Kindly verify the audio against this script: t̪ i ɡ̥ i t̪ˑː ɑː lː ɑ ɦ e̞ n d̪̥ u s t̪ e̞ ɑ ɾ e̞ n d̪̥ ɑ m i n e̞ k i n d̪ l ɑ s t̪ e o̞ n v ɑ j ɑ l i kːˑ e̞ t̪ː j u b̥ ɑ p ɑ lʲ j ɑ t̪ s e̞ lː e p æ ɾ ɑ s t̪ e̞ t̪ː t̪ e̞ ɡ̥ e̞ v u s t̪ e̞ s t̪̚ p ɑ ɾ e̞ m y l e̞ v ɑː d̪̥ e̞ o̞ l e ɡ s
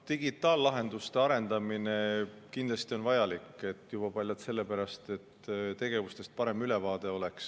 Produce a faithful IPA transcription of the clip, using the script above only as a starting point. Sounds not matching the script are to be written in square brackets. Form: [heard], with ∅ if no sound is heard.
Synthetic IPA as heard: t̪ i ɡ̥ i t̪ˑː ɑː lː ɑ ɦ e̞ n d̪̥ u s t̪ e̞ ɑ ɾ e̞ n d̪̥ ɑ m i n e̞ k i n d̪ l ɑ s t̪ [i] o̞ n v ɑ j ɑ l i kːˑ e̞ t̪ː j u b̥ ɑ p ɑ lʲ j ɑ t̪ s e̞ lː e p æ ɾ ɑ s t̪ e̞ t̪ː t̪ e̞ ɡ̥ e̞ v u s t̪ e̞ s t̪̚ p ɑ ɾ e̞ m y l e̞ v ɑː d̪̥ e̞ o̞ l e [k] s